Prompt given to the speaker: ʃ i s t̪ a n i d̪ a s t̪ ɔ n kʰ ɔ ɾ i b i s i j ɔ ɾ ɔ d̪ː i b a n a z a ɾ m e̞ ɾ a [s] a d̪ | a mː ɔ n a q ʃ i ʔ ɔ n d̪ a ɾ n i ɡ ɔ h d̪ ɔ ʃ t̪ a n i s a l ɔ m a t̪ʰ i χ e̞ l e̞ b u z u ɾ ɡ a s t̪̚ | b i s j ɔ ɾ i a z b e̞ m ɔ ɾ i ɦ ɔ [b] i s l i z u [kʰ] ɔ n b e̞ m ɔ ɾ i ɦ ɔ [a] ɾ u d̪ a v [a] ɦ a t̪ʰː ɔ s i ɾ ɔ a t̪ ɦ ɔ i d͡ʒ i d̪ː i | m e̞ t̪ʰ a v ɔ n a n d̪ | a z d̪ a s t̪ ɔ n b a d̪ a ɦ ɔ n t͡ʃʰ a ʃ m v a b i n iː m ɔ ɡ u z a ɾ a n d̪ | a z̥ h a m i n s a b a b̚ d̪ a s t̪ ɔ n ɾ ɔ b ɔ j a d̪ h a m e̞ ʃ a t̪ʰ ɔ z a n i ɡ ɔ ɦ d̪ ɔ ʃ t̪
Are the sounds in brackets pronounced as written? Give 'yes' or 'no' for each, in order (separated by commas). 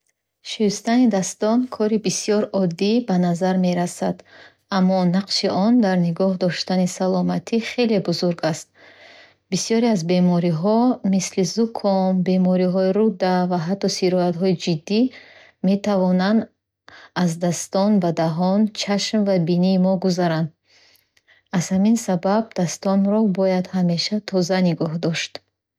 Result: yes, no, yes, no, yes